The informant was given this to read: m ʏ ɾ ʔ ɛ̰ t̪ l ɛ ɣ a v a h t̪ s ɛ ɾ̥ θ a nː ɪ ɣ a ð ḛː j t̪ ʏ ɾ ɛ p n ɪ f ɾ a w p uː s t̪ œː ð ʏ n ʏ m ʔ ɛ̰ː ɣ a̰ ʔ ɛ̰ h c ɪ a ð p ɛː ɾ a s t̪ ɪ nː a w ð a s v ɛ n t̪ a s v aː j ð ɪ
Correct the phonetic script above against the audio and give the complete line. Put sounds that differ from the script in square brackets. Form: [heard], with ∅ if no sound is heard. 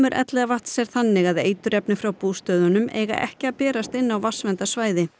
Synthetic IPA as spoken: m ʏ ɾ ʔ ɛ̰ t̪ l ɛ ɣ a v a h t̪ s ɛ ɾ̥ θ a nː ɪ ɣ a ð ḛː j t̪ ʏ ɾ ɛ p n ɪ f ɾ a w p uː s t̪ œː ð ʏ n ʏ m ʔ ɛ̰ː ɣ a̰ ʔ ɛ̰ h c ɪ a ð p ɛː ɾ a s t̪ ɪ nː a w [v] a s v ɛ n t̪ a s v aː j ð ɪ